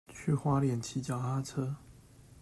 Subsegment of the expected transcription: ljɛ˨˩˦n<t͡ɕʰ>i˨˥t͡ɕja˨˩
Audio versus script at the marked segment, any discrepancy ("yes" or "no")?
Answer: no